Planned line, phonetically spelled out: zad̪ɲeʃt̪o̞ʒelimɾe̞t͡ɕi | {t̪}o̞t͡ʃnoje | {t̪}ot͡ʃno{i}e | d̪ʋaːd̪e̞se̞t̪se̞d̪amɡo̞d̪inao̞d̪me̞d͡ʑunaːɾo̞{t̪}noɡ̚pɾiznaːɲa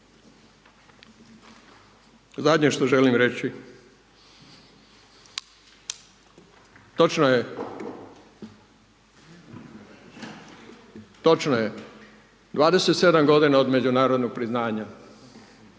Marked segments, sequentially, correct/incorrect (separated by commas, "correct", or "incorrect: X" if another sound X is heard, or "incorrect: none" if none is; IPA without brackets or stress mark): correct, correct, incorrect: j, incorrect: d̪